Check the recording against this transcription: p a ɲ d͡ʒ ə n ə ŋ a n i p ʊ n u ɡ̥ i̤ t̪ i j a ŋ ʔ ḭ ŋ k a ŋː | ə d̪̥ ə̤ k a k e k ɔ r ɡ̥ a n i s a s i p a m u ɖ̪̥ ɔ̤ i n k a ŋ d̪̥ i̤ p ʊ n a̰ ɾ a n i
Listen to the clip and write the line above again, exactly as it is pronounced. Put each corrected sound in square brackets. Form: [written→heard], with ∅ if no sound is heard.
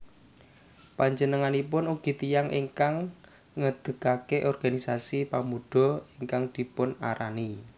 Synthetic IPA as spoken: p a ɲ d͡ʒ ə n ə ŋ a n i p ʊ n u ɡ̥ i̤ t̪ i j a ŋ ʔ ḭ ŋ k a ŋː | ə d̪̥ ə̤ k a k e [k→ʔ] ɔ r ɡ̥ a n i s a s i p a m u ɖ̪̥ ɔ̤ i [n→ŋ] k a ŋ d̪̥ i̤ p ʊ n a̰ ɾ a n i